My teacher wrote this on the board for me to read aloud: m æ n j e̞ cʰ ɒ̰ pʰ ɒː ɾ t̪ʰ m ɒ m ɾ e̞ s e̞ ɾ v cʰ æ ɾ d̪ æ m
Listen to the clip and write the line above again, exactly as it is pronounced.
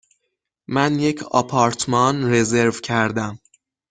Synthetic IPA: m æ n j e̞ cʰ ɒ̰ pʰ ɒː ɾ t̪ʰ m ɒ n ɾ e̞ z e̞ ɾ v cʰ æ ɾ d̪ æ m